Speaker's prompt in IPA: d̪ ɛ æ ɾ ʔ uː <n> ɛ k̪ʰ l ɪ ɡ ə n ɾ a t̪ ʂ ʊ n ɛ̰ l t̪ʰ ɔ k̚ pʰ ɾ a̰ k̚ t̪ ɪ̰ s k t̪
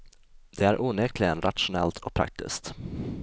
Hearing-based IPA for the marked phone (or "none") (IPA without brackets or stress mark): n